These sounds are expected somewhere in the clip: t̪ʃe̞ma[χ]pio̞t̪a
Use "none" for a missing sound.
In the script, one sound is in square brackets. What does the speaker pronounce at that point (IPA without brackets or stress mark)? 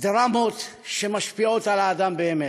ʃ